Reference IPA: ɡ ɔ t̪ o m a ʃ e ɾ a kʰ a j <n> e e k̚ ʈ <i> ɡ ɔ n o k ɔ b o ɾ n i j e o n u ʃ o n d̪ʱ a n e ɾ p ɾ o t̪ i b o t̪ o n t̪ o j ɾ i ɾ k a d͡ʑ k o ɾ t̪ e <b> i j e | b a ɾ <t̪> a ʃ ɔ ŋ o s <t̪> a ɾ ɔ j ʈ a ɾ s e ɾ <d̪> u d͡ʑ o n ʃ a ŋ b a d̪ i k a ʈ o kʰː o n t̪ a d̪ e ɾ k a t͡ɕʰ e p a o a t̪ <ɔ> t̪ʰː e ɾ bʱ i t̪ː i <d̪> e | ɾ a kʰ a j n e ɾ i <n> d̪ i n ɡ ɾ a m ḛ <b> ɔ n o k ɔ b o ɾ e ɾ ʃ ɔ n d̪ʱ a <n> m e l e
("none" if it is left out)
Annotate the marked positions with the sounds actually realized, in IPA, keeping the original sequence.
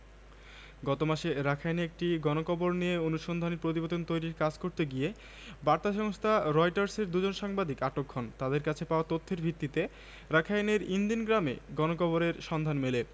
n, i, ɡ, t̪, t̪ʰ, d̪, o, t̪, n, ɡ, n

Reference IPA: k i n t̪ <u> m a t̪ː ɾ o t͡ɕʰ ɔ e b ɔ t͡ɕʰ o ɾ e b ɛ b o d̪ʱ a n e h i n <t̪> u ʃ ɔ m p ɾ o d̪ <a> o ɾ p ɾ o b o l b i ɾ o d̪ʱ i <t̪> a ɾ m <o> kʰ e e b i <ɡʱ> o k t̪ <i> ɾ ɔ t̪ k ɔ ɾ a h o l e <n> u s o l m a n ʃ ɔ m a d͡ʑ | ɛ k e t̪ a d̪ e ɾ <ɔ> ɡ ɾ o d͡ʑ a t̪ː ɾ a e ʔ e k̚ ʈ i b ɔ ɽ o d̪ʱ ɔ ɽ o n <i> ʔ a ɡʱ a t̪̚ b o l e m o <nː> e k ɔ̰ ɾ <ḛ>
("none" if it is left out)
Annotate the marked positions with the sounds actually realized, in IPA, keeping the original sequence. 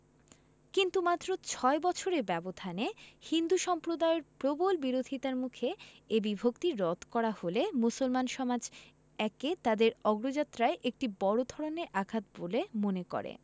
u, d̪, a, t̪, u, bʱ, i, m, ɔ, e, n, ḛ

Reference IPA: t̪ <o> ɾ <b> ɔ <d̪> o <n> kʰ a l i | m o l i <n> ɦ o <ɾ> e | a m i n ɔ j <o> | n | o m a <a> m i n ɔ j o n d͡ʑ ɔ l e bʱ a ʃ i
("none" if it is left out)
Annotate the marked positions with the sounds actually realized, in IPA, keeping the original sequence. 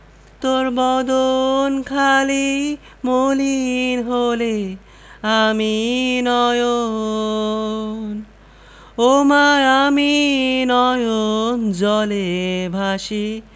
o, b, d̪, n, n, l, o, a

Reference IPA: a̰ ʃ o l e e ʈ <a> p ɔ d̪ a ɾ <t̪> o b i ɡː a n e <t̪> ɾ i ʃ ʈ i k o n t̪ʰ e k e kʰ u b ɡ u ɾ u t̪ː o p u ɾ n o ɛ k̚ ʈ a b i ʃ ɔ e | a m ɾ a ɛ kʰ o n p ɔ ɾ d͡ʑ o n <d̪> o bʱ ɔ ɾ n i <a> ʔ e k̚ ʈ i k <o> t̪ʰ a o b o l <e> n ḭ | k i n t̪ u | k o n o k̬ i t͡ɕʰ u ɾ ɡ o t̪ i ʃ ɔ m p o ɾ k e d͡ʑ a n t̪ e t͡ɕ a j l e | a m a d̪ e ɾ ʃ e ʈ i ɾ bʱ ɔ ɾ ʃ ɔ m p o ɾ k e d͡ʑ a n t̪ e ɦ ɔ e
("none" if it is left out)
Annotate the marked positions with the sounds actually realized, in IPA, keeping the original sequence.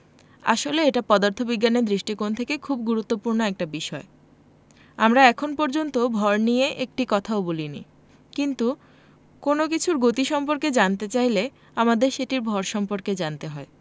a, t̪ʰ, d̪, t̪, e, ɔ, i

